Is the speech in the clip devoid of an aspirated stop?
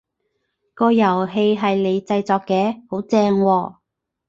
yes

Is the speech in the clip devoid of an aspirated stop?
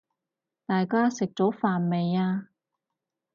yes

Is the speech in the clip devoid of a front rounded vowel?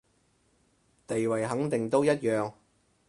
no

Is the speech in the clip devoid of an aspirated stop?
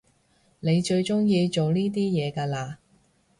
yes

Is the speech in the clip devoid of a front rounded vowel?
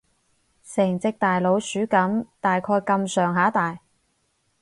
no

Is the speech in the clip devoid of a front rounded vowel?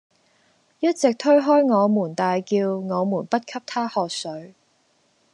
yes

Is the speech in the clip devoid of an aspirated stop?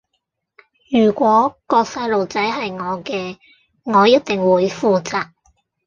yes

